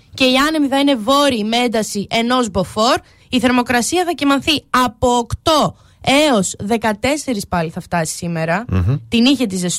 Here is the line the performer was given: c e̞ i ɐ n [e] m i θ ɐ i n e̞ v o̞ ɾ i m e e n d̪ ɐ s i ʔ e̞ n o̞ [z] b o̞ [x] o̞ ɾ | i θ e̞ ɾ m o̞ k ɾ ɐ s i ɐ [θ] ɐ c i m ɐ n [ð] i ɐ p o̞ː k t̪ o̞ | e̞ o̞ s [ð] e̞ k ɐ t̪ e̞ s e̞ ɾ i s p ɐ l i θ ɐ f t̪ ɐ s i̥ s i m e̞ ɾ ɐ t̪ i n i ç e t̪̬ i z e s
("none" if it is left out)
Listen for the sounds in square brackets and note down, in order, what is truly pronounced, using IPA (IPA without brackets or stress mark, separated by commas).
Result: e, z, f, θ, θ, ð